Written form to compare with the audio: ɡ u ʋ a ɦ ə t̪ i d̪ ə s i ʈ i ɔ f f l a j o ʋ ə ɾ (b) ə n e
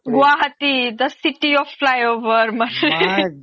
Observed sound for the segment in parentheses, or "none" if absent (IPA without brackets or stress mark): m